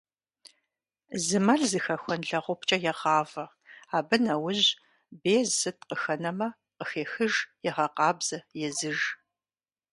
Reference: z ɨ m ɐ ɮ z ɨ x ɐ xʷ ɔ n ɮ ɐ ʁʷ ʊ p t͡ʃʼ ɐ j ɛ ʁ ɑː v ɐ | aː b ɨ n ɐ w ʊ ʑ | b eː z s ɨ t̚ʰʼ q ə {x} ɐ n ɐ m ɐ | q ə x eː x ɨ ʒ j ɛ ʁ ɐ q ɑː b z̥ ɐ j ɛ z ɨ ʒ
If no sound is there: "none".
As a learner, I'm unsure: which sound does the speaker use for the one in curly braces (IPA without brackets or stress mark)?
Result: x